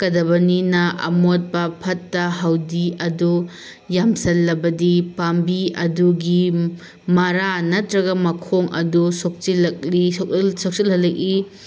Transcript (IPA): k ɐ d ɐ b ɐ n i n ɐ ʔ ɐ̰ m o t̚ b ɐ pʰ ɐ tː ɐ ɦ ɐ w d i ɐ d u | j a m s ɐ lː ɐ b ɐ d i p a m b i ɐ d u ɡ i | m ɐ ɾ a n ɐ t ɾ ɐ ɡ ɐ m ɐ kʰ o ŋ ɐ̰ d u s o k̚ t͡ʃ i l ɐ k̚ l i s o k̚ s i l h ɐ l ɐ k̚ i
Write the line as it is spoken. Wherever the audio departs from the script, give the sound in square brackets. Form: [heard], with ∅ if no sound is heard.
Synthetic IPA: k ɐ d ɐ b ɐ n i n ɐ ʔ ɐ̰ m o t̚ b ɐ pʰ ɐ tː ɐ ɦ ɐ w d i ɐ d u | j a m s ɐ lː ɐ b ɐ d i p a m b i ɐ d u ɡ i | m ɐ ɾ a n ɐ t ɾ ɐ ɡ ɐ m ɐ kʰ o ŋ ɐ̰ d u s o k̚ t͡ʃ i l ɐ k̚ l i s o k̚ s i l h ɐ l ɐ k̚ i